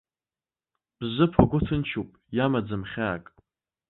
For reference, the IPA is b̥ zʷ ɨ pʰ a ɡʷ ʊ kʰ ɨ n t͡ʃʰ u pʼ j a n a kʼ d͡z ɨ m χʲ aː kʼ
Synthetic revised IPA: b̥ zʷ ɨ pʰ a ɡʷ ʊ tʰ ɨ n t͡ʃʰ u pʼ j a m a d͡z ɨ m χʲ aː kʼ

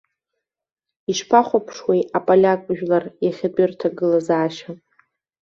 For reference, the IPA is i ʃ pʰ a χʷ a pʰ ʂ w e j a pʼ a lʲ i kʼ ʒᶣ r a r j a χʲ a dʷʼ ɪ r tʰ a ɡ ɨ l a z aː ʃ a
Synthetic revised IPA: i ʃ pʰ a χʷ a pʰ ʂ w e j a pʼ a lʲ a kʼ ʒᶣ l a r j a χʲ a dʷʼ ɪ r tʰ a ɡ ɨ l a z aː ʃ a

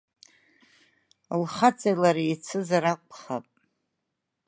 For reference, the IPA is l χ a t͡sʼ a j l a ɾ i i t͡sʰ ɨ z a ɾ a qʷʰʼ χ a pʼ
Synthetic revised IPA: l χ a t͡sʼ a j l a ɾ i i t͡sʰ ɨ z a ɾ a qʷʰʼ χ a pʼ

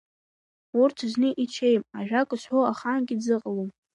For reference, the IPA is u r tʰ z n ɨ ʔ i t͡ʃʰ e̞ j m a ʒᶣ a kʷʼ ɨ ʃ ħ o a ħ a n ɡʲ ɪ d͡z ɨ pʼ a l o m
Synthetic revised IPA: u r tʰ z n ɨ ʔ i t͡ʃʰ e̞ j m a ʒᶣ a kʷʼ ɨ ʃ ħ o a χ a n ɡʲ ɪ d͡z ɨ qʼ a l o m

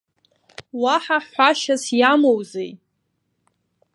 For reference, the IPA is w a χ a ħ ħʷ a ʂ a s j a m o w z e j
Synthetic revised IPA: w a ħ a ħ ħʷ a ʃ a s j a m o w z e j

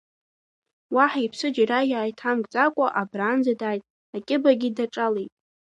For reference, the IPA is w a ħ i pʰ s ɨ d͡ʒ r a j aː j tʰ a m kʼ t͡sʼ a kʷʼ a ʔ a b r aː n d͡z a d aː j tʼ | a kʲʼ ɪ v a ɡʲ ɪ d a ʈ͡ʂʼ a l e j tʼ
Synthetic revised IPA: w a ħ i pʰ s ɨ d͡ʒ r a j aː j tʰ a m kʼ t͡sʼ a kʷʼ a ʔ a b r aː n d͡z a d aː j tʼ | a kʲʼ ɪ b a ɡʲ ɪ d a ʈ͡ʂʼ a l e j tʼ

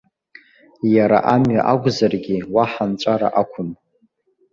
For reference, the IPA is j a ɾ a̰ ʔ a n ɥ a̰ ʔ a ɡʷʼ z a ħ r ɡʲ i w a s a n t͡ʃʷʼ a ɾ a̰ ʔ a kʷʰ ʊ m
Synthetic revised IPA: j a ɾ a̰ ʔ a m ɥ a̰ ʔ a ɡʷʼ z a r ɡʲ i w a ħ a n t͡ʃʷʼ a ɾ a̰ ʔ a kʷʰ ʊ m

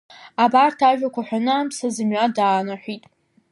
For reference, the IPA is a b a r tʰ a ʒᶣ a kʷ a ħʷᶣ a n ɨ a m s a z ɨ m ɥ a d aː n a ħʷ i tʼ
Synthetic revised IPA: a b a r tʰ a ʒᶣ a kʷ a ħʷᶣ a n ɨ a m s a z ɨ m ɥ a d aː n a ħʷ i tʼ

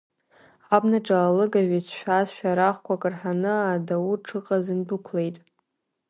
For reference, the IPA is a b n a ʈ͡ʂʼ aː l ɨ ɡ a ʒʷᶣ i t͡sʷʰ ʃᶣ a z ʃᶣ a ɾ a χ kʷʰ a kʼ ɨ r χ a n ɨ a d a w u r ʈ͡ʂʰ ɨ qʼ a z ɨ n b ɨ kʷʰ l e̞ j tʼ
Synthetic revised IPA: a b n a ʈ͡ʂʼ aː l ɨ ɡ a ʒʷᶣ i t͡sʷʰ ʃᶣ a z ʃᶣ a ɾ a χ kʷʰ a kʼ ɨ r ħ a n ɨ a d a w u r ʈ͡ʂʰ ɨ qʼ a z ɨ n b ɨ kʷʰ l e̞ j tʼ

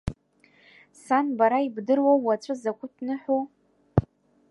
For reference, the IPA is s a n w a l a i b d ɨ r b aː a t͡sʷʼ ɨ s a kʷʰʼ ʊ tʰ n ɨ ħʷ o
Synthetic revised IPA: s a n b a ɾ a i b d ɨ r w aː a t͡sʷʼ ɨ z a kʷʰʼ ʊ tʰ n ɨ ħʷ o

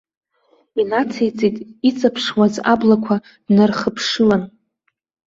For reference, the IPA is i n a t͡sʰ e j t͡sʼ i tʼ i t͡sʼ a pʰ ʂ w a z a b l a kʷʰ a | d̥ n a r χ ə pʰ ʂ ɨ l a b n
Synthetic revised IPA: i n a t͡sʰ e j t͡sʼ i tʼ i t͡sʼ a pʰ ʂ w a z a b l a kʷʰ a | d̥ n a r χ ə pʰ ʂ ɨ l a n

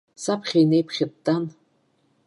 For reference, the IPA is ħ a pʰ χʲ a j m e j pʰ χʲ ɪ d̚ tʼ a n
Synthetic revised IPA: s a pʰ χʲ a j n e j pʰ χʲ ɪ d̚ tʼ a n

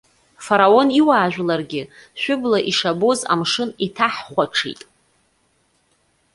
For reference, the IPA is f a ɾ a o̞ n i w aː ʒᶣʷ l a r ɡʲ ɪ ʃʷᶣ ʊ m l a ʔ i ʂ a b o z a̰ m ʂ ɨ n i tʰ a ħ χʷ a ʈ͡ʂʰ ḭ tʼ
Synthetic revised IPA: f a ɾ a o̞ n i w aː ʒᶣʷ l a r ɡʲ ɪ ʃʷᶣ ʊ b l a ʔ i ʂ a b o z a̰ m ʂ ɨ n i tʰ a ħ χʷ a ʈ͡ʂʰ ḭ tʼ

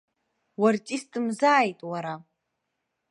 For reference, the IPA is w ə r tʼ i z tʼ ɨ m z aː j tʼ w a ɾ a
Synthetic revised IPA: w a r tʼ i s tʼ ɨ m z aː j tʼ w a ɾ a

